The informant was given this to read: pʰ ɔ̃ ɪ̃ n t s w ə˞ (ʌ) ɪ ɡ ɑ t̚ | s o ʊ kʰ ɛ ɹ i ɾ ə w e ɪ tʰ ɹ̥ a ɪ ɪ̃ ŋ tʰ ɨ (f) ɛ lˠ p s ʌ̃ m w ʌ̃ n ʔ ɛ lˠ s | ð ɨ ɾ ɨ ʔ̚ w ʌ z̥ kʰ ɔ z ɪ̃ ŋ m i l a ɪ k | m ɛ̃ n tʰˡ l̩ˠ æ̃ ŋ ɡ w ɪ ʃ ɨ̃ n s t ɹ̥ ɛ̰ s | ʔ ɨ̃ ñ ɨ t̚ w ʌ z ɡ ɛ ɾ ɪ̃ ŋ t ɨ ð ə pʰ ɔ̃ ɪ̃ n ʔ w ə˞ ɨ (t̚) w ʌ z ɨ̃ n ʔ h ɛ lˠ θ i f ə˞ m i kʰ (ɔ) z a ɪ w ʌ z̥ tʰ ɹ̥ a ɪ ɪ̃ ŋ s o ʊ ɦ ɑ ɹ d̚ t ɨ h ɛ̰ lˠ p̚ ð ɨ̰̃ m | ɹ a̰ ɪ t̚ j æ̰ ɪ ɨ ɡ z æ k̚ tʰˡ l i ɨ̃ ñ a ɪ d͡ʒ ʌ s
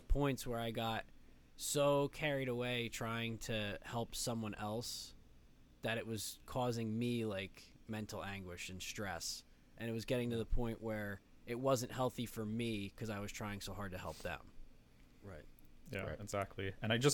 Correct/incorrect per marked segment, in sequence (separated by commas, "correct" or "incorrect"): incorrect, incorrect, correct, incorrect